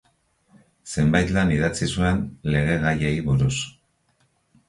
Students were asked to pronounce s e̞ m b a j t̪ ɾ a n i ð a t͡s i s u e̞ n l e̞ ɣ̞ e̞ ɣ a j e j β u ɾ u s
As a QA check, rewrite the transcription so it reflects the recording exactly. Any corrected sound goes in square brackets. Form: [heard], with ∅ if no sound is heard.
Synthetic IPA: s e̞ m b a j t̪ [l] a n i ð a t͡s i s u e̞ n l e̞ ɣ̞ e̞ ɣ a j e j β u ɾ u s